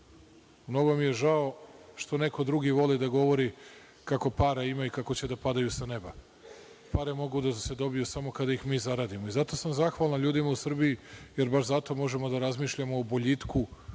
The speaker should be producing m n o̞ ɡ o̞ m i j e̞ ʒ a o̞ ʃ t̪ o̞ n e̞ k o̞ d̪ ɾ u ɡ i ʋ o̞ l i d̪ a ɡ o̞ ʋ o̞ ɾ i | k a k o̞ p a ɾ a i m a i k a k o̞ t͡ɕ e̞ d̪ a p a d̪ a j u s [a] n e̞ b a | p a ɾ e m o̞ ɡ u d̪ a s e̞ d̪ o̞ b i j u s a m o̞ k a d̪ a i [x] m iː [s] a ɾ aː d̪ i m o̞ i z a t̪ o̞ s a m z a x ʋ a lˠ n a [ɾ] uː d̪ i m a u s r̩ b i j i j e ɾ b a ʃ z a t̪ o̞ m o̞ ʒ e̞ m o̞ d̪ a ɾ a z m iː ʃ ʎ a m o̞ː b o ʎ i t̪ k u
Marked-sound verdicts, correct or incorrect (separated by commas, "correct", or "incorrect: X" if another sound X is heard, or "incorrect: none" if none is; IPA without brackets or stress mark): correct, correct, incorrect: z, incorrect: ʎ